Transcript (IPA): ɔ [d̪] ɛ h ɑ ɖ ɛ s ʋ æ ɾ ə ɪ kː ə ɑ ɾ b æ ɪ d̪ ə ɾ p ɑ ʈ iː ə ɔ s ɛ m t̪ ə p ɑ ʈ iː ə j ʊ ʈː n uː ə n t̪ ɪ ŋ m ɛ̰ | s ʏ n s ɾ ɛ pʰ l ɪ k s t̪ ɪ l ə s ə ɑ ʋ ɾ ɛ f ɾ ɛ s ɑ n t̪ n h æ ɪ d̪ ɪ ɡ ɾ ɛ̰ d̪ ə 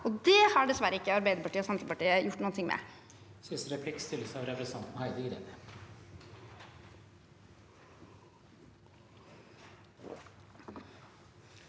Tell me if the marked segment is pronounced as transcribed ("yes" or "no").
yes